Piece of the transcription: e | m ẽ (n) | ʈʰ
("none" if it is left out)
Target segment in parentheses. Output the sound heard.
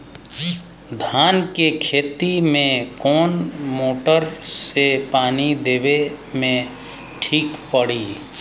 none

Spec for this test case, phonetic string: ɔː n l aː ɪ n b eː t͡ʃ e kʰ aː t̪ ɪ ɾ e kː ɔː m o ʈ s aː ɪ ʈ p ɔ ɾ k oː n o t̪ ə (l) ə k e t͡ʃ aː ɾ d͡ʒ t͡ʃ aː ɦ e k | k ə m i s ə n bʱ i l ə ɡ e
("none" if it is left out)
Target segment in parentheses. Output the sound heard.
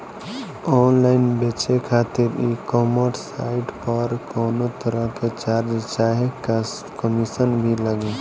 ɾ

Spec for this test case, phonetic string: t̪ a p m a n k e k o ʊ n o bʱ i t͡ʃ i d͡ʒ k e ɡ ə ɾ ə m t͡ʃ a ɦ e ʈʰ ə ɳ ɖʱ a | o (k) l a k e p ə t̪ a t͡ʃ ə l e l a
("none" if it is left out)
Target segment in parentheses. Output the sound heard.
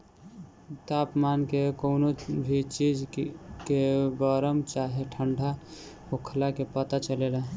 kʰ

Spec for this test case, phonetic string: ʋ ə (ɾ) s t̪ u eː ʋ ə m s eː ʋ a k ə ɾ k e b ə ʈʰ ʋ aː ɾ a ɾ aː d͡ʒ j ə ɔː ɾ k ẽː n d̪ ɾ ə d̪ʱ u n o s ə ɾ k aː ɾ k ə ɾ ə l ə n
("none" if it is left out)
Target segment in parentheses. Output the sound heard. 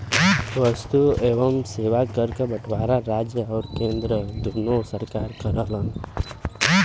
none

